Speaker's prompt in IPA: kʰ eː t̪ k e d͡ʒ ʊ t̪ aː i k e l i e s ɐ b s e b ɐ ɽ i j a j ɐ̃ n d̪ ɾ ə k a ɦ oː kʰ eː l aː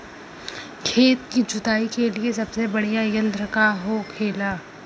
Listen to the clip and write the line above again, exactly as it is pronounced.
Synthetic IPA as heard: kʰ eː t̪ k i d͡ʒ ʊ t̪ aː i k e l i e s ɐ b s e b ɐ ɽ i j a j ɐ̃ n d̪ ɾ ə k a ɦ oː kʰ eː l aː